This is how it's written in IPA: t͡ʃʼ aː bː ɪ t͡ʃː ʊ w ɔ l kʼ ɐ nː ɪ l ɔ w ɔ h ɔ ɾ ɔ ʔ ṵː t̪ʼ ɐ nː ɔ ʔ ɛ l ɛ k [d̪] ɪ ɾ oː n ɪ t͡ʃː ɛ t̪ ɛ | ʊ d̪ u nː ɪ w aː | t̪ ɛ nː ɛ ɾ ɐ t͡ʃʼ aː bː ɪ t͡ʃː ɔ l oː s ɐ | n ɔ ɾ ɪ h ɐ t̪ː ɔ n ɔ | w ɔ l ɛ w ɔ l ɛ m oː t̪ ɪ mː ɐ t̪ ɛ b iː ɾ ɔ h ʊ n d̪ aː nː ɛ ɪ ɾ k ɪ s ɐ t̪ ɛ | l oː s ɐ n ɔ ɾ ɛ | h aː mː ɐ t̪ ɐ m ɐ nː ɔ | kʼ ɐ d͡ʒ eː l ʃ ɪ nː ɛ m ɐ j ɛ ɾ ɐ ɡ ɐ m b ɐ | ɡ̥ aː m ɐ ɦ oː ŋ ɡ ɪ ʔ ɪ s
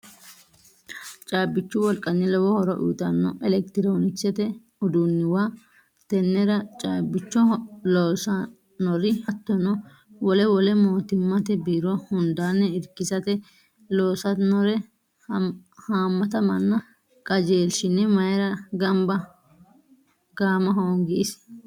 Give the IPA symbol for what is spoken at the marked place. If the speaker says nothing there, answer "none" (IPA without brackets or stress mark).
t̪